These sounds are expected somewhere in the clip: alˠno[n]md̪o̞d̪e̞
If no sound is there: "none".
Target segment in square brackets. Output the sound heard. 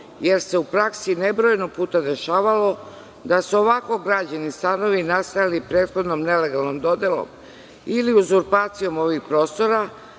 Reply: none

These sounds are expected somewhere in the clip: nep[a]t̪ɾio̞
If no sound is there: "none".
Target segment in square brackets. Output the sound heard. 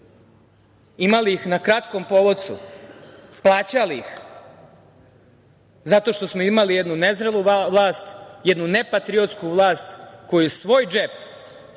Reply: a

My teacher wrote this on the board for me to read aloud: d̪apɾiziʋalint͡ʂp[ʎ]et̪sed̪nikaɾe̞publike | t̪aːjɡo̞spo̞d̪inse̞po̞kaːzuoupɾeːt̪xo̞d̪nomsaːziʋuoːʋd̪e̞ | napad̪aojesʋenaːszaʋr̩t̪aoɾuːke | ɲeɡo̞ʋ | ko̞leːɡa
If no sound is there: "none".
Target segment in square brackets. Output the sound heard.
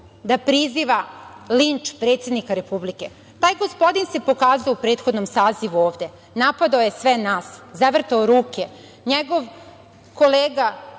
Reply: ɾ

